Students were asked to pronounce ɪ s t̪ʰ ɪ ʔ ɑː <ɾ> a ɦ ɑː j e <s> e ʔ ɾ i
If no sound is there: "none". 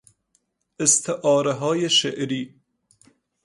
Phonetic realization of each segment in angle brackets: ɾ, ʃ

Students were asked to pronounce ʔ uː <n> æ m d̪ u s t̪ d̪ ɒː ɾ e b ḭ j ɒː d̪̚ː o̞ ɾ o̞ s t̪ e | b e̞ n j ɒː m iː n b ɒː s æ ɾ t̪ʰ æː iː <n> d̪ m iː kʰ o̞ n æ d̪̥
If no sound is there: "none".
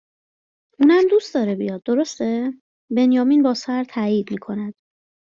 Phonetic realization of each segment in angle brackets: n, none

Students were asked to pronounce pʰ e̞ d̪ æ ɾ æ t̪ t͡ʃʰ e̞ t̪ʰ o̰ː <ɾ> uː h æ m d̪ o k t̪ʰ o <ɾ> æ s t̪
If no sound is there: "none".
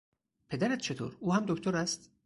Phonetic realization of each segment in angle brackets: ɾ, ɾ

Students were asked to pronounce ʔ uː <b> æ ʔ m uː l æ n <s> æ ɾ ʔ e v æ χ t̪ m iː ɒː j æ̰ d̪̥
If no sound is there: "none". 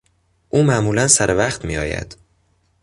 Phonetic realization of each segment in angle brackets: m, s

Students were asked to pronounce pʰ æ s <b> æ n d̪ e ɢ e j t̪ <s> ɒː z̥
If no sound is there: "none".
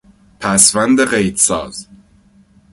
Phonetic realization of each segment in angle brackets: v, s

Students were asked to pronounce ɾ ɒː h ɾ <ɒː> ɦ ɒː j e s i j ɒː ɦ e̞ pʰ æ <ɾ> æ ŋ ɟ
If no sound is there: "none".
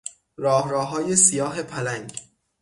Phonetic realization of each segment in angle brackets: ɒː, l

